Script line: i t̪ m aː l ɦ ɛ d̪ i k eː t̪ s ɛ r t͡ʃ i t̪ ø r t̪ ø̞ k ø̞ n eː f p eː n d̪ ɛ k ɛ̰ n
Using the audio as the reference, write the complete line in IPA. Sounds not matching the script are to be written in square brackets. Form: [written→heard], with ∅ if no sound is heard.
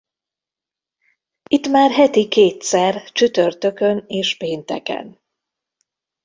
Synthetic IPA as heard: i t̪ m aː [l→r] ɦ ɛ [d̪→t̪] i k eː t̪ s ɛ r t͡ʃ [i→y] t̪ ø r t̪ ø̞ k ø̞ n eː [f→ʃ] p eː n [d̪→t̪] ɛ k ɛ̰ n